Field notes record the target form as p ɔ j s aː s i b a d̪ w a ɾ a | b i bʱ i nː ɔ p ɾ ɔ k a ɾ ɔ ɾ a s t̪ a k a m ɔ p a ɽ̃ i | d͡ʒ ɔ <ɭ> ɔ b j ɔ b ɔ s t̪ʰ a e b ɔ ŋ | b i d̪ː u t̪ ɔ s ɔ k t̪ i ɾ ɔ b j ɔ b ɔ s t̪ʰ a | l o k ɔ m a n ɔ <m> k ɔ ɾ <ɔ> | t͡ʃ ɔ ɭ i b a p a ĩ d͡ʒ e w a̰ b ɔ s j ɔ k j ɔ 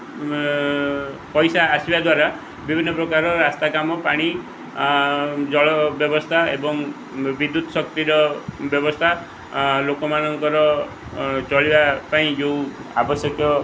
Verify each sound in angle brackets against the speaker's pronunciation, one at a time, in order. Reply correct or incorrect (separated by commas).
correct, incorrect, correct